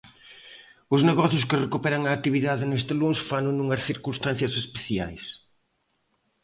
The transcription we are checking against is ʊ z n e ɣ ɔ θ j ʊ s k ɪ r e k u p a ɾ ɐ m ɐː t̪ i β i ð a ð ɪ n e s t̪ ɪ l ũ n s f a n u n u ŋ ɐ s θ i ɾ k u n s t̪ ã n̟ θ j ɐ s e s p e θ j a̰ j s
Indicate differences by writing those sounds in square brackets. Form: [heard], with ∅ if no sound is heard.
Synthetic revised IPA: ʊ z n e ɣ ɔ θ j ʊ s k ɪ r e k u p [ɛ] ɾ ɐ [ŋ] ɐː t̪ i β i ð a ð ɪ n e s t̪ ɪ l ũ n s f a n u n u ŋ ɐ s θ i ɾ k u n s t̪ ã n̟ θ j ɐ s e s p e θ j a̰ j s

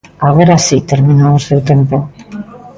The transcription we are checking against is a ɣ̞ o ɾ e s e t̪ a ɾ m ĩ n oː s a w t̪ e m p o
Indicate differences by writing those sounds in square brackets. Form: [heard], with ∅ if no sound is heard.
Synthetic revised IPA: a ɣ̞ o ɾ [a] s [i] t̪ [e] ɾ m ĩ n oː s [e] w t̪ e m p o

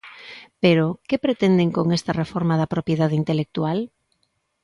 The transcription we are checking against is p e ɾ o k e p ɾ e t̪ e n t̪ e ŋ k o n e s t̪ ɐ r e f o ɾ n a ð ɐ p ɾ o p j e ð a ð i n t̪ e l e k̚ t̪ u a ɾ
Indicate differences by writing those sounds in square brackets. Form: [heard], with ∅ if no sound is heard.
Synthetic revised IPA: p e ɾ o k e p ɾ e t̪ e n [d̪] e ŋ k o [ŋ] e s t̪ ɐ r e f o ɾ [m] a ð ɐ p ɾ o p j e ð a ð i n t̪ e l e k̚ t̪ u a [l]

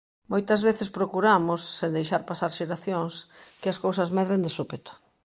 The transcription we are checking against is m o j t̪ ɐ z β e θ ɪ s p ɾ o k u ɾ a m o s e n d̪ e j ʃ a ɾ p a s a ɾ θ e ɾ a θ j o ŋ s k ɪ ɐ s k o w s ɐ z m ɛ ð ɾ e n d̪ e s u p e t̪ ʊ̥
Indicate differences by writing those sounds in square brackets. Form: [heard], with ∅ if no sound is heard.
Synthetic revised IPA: m o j t̪ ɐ z β e θ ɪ s p ɾ o k u ɾ a m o [sː] e n d̪ e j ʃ a ɾ p a s a ɾ [ʃ] e ɾ a θ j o ŋ s k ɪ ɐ s k o w s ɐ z m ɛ ð ɾ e n d̪ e s u p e t̪ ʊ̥

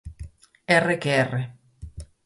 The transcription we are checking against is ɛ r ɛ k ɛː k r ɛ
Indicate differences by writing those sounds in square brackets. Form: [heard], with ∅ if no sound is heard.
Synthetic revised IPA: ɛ r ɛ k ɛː [∅] r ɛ

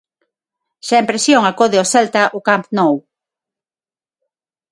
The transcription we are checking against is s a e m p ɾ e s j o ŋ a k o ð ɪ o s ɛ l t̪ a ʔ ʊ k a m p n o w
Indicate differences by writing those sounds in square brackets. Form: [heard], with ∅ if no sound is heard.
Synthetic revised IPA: [ʃ] a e m p ɾ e s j o ŋ a k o ð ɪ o s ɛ l t̪ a ʔ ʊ k a m p n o w

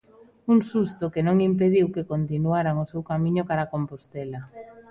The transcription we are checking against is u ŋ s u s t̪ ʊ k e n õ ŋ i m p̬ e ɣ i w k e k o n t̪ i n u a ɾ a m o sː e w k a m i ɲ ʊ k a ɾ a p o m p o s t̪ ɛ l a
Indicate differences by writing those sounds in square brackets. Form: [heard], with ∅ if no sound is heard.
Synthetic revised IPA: u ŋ s u s t̪ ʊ k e n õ ŋ i m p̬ e [ð] i w k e k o n t̪ i n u a ɾ a [ŋ] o [s] e w k a m i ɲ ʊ k a ɾ a [k] o m p o s t̪ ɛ l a

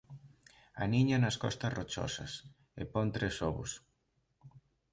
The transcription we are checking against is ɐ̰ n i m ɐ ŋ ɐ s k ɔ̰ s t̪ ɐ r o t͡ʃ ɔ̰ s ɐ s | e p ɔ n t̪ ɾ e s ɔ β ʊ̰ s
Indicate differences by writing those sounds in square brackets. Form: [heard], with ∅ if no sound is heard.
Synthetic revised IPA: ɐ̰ n i [ɲ] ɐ [n] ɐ s k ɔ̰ s t̪ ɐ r o t͡ʃ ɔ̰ s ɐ s | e p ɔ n t̪ ɾ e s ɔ β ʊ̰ s

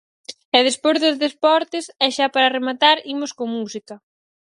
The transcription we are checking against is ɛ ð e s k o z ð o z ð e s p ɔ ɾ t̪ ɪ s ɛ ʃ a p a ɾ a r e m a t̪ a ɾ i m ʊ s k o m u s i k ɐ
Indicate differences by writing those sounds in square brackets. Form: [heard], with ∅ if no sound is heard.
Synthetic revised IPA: ɛ ð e s [p] o z ð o z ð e s p ɔ ɾ t̪ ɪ s ɛ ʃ a p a ɾ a r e m a t̪ a ɾ i m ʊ s k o m u s i k ɐ

